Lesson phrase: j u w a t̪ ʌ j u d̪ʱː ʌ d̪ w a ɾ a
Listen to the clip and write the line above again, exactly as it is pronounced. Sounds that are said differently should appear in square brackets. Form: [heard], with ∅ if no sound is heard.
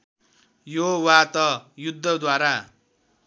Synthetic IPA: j [o] w a t̪ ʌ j u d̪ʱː ʌ d̪ w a ɾ a